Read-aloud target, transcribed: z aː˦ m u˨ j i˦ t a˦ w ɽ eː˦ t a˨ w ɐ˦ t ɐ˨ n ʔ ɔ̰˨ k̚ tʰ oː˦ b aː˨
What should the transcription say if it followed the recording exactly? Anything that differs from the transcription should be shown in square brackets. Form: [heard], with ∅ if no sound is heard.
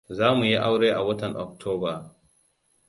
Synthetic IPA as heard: z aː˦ m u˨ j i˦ [ʔ] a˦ w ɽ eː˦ [ʔ] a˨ w ɐ˦ t ɐ˨ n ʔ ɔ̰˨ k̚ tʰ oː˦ b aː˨